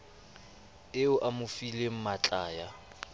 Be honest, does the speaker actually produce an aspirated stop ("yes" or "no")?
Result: no